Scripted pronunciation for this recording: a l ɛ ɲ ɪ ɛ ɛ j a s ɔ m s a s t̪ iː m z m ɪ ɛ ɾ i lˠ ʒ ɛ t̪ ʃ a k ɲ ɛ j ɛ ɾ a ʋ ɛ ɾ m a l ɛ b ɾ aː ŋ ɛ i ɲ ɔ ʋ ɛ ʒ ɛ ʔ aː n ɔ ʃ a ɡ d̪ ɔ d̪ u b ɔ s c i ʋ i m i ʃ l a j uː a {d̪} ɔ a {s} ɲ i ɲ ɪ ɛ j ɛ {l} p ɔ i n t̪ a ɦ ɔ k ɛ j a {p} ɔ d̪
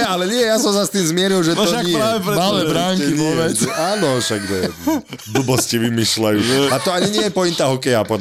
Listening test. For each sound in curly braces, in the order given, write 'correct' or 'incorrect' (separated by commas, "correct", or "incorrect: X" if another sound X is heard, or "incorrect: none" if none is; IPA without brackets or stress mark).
incorrect: t̪, incorrect: none, incorrect: none, correct